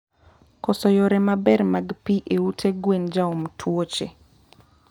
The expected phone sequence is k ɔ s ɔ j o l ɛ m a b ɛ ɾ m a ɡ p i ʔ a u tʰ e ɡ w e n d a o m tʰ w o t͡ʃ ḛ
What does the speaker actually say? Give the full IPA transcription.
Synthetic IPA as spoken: k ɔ s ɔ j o ɾ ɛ m a b ɛ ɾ m a ɡ p i ʔ e u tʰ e ɡ w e n d͡ʒ a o m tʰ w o t͡ʃ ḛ